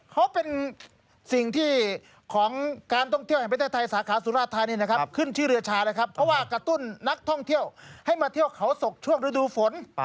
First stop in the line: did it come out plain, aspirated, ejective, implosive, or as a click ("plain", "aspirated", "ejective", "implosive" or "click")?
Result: aspirated